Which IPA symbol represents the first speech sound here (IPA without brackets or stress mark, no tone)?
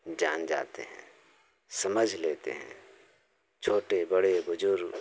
d͡ʒ